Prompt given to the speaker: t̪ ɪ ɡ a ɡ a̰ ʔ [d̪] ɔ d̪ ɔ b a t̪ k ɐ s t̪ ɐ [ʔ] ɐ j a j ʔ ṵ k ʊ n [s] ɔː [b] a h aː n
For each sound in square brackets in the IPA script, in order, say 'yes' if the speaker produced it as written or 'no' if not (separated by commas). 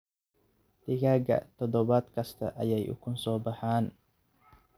no, yes, yes, yes